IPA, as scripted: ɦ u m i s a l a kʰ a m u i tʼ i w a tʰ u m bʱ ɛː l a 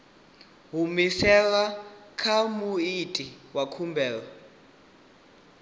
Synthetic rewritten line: ɦ u m i s ɛ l a kʰ a m u i tʼ i w a kʰ u m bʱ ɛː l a